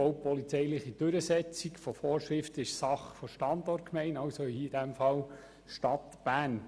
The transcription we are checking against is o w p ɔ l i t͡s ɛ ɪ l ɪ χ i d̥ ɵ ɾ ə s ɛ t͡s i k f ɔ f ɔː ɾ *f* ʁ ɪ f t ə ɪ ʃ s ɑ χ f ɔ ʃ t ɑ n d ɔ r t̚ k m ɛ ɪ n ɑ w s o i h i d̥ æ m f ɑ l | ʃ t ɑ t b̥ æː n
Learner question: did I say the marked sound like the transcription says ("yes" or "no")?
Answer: no